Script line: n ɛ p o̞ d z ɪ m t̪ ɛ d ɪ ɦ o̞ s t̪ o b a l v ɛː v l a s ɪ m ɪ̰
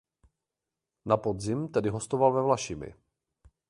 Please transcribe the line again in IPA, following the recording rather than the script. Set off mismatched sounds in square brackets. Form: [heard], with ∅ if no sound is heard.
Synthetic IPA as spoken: n [a] p o̞ d z ɪ m t̪ ɛ d ɪ ɦ o̞ s t̪ o [v] a l v [ɛ] v l a [ʃ] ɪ m ɪ̰

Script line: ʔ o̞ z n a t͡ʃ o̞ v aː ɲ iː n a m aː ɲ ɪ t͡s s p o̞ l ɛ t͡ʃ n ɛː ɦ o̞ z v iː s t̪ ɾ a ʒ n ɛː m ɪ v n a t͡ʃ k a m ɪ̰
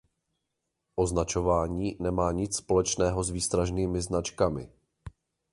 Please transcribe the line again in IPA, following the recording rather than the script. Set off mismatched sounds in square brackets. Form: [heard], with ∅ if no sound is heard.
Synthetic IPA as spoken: ʔ o̞ z n a t͡ʃ o̞ v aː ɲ iː n [ɛ] m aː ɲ ɪ t͡s s p o̞ l ɛ t͡ʃ n ɛː ɦ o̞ z v iː s t̪ ɾ a ʒ n [iː] m ɪ [z] n a t͡ʃ k a m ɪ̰

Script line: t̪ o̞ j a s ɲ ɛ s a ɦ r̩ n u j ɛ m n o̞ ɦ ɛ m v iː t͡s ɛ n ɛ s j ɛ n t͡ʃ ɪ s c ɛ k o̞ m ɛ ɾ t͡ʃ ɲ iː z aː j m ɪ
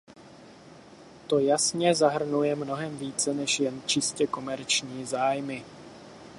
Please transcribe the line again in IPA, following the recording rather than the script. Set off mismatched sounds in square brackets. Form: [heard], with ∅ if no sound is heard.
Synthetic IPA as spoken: t̪ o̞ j a s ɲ ɛ [z] a ɦ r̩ n u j ɛ m n o̞ ɦ ɛ m v iː t͡s ɛ n ɛ [ʃ] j ɛ n t͡ʃ ɪ s c ɛ k o̞ m ɛ ɾ t͡ʃ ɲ iː z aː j m ɪ

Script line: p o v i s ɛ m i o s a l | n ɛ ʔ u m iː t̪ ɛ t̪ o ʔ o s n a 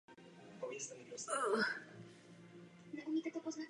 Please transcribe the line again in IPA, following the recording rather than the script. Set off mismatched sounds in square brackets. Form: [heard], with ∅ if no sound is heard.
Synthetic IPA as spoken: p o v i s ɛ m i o s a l | n ɛ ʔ u m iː t̪ ɛ t̪ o [p] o [z] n a

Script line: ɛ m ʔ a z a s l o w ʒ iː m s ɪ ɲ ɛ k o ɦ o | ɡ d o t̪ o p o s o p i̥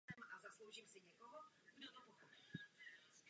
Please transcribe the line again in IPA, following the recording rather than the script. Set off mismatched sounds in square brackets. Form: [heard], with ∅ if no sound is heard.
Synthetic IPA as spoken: ɛ m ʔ a z a s l o w ʒ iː m s ɪ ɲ ɛ k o ɦ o | ɡ d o t̪ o p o [x] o p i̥

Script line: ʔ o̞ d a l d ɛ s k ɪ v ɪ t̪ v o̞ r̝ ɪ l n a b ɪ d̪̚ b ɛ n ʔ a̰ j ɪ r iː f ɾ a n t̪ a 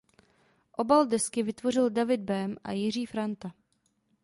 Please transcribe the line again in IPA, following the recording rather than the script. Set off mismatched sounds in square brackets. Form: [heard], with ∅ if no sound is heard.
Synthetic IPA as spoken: ʔ o̞ [b] a l d ɛ s k ɪ v ɪ t̪ v o̞ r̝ ɪ l [d] a [v] ɪ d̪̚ b ɛ [m] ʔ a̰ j ɪ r iː f ɾ a n t̪ a

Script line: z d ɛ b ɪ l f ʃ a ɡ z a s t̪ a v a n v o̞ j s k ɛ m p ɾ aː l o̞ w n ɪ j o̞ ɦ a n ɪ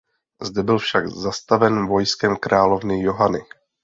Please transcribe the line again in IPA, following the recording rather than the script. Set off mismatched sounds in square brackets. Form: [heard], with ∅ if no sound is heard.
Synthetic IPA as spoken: z d ɛ b ɪ l f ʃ a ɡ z a s t̪ a v [ɛ] n v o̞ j s k ɛ m [k] ɾ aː l o̞ [v] n ɪ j o̞ ɦ a n ɪ

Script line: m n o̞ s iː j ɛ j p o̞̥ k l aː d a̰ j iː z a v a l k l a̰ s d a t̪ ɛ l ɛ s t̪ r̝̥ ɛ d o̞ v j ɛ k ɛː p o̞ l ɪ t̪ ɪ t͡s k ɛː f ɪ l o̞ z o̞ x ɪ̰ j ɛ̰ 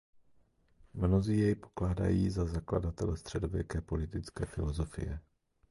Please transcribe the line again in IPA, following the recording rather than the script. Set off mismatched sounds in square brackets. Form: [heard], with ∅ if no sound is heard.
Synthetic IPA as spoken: m n o̞ [z] iː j ɛ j p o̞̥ k l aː d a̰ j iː z a [z] a [∅] k l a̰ [∅] d a t̪ ɛ l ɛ s t̪ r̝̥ ɛ d o̞ v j ɛ k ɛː p o̞ l ɪ t̪ ɪ t͡s k ɛː f ɪ l o̞ z o̞ [f] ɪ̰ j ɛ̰

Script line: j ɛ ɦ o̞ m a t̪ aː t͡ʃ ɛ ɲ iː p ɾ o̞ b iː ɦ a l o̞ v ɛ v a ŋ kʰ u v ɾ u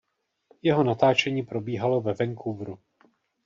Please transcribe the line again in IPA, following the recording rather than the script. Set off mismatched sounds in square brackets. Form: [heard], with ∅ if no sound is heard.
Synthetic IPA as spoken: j ɛ ɦ o̞ [n] a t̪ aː t͡ʃ ɛ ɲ iː p ɾ o̞ b iː ɦ a l o̞ v ɛ v [ɛ] ŋ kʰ u v ɾ u

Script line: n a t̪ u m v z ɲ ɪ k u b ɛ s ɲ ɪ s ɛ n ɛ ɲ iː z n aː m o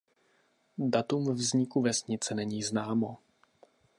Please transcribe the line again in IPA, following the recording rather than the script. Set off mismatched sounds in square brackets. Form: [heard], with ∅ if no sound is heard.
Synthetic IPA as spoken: [d] a t̪ u m v z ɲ ɪ k u [v] ɛ s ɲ ɪ [t͡s] ɛ n ɛ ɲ iː z n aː m o

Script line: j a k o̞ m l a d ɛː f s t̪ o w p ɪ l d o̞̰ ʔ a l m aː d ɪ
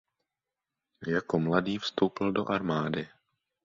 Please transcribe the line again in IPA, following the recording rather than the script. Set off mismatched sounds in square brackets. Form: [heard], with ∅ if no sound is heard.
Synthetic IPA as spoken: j a k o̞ m l a d [iː] f s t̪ o w p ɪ l d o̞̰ ʔ a [ɾ] m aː d ɪ

